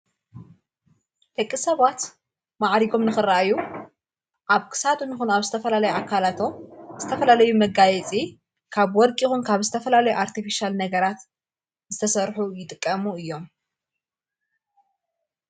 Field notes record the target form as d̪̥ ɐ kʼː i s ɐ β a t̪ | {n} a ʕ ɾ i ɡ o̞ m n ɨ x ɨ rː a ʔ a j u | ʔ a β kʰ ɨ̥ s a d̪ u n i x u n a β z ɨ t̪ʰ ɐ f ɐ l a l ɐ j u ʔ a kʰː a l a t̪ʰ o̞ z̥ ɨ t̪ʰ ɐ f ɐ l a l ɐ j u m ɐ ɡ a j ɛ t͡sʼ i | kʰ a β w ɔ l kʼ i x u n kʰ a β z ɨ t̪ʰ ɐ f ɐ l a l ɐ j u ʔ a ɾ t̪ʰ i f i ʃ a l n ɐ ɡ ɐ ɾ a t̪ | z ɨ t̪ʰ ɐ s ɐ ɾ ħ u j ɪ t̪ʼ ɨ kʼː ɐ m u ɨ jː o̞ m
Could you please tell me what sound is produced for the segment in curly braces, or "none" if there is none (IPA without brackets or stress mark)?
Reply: m